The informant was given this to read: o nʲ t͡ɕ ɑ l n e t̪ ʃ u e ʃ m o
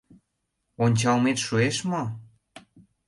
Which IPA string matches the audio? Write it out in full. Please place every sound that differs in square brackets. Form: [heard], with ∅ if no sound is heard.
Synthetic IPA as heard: o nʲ t͡ɕ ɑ l [m] e t̪ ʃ u e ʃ m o